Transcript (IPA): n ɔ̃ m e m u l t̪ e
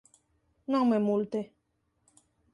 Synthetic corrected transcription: n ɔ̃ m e m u l t̪ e